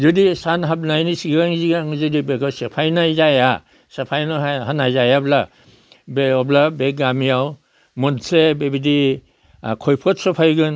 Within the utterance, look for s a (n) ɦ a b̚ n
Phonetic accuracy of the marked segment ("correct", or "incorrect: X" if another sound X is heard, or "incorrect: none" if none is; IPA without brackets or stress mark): correct